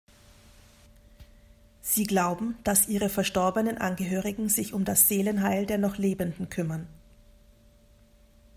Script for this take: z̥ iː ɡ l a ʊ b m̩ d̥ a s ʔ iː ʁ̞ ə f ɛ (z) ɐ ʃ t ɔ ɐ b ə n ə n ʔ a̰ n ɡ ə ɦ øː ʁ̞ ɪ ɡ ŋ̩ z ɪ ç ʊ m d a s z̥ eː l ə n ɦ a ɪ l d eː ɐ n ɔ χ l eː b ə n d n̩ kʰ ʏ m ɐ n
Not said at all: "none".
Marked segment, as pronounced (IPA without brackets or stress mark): none